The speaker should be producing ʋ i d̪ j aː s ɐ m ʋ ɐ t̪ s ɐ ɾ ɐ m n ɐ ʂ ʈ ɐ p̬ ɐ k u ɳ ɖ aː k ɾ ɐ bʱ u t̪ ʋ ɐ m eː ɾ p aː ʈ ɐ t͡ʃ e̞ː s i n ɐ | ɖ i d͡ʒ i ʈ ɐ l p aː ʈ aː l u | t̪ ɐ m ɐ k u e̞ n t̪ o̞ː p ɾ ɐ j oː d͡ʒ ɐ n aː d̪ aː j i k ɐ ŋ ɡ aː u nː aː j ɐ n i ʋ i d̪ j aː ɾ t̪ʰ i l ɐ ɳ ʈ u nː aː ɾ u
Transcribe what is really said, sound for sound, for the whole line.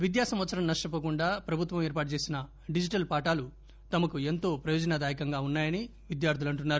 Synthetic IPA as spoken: ʋ i d̪ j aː s ɐ m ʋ ɐ t̪ s ɐ ɾ ɐ m n ɐ ʂ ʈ ɐ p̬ ɐ k u ɳ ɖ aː p ɾ ɐ bʱ u t̪ ʋ ɐ m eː ɾ p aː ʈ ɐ t͡ʃ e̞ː s i n ɐ | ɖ i d͡ʒ i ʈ ɐ l p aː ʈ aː l u | t̪ ɐ m ɐ k u e̞ n t̪ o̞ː p ɾ ɐ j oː d͡ʒ ɐ n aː d̪ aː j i k ɐ ŋ ɡ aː u nː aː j ɐ n i ʋ i d̪ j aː ɾ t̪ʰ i l ɐ ɳ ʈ u nː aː ɾ u